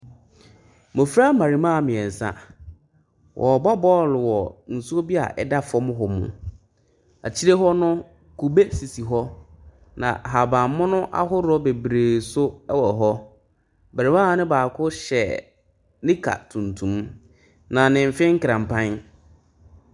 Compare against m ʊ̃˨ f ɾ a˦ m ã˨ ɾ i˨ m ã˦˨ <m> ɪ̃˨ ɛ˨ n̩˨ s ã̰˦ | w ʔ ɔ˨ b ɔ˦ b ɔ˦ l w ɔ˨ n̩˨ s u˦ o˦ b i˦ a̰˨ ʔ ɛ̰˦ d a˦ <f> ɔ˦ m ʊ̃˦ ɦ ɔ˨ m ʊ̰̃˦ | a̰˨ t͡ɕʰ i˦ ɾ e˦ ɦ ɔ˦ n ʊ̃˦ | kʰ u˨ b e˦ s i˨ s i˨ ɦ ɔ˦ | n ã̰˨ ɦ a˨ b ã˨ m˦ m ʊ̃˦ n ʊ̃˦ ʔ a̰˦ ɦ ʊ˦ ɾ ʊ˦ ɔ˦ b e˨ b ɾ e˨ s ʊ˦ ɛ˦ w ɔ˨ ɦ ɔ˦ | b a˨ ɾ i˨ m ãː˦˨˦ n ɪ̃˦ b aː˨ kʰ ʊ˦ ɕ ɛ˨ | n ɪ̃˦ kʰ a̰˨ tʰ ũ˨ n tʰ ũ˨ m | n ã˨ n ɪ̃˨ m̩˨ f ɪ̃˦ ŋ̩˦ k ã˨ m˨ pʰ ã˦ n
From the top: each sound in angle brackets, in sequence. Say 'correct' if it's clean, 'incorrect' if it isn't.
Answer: correct, correct

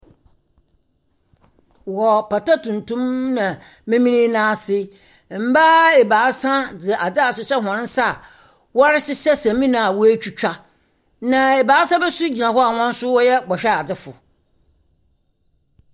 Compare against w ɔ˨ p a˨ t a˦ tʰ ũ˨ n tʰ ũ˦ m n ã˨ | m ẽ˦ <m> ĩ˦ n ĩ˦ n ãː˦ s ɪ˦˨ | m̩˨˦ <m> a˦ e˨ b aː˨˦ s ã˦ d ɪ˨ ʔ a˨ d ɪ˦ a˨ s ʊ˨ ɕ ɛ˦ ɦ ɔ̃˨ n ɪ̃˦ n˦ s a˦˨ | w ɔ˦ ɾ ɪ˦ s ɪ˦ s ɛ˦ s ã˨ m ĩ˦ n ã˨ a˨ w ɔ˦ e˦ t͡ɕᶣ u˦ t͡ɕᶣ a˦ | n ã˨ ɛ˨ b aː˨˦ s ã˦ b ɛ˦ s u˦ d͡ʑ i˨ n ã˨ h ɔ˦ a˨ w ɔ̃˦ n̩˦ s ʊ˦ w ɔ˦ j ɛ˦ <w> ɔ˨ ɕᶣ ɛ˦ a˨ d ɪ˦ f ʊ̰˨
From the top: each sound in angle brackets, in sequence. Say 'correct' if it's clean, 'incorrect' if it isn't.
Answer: correct, incorrect: b, incorrect: b

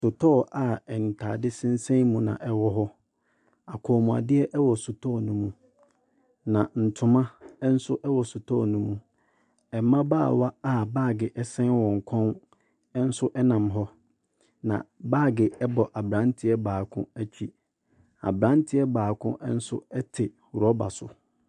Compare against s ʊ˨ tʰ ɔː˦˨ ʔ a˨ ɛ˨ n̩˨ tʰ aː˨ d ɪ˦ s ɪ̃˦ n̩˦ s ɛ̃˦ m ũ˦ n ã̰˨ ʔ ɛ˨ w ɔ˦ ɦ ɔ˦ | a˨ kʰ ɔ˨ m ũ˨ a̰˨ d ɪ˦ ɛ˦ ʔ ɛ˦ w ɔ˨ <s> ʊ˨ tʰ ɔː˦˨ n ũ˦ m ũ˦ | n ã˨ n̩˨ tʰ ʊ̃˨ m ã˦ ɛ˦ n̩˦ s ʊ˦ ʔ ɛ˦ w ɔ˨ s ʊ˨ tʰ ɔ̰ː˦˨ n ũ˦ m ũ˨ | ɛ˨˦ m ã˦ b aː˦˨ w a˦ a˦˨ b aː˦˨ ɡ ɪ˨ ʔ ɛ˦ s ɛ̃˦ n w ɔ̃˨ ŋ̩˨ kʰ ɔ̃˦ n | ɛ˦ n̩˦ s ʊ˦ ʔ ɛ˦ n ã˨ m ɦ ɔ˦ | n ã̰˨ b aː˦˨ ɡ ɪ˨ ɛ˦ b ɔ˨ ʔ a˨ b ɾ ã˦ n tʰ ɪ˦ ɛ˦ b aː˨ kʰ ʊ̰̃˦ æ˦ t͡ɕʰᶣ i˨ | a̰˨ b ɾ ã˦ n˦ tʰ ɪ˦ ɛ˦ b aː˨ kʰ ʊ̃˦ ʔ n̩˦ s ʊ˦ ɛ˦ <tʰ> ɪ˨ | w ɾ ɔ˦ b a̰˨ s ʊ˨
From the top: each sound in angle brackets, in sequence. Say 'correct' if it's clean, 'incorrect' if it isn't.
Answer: correct, correct

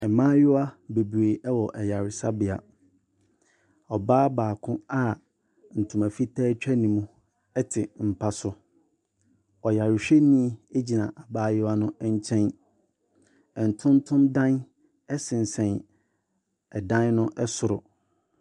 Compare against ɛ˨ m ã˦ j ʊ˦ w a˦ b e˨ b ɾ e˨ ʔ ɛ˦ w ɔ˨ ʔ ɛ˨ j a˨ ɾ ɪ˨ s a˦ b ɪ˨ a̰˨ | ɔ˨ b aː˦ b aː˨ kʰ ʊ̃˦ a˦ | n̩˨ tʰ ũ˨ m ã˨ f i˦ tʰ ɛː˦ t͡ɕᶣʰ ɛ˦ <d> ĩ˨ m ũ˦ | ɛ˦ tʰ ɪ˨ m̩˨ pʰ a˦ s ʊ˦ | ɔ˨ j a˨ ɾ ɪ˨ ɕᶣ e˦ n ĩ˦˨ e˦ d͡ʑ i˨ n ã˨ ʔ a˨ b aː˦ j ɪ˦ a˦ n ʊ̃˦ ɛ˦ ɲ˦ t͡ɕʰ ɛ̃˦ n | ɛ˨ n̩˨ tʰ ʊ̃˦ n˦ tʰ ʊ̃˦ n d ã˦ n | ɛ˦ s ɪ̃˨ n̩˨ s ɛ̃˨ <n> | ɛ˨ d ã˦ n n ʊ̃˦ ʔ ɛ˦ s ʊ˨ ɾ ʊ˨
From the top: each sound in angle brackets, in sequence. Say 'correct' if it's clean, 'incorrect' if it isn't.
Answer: incorrect: n, correct

